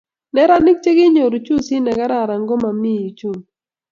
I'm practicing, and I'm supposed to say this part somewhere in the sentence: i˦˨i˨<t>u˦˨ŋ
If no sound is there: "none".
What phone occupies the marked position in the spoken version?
t͡ʃ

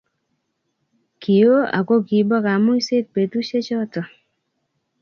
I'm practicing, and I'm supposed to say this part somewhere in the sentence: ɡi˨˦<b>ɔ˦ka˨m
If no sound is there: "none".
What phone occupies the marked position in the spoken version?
b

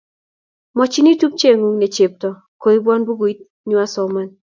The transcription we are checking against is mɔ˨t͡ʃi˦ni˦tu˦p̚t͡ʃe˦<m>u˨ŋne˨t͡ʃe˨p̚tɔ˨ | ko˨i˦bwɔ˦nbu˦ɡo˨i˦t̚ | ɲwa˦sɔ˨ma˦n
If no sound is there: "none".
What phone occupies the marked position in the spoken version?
ŋ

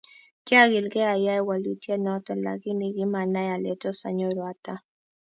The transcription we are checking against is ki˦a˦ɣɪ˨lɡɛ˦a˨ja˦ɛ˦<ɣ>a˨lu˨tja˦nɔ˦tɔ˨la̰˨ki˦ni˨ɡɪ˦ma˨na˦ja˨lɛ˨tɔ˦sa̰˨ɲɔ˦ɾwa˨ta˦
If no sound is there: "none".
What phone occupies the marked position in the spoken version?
w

